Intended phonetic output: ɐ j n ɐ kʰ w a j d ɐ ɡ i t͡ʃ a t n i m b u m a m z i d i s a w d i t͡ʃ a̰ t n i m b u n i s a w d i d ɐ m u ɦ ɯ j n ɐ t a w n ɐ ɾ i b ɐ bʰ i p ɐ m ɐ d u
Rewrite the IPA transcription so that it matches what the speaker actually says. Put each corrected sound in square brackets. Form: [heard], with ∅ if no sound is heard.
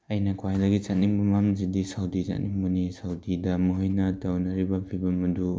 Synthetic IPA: ɐ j n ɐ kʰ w a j d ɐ ɡ i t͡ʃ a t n i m b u m a m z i d i s a w d i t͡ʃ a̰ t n i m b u n i s a w d i d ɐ m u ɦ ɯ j n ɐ t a w n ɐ ɾ i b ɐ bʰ i [b] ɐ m ɐ d u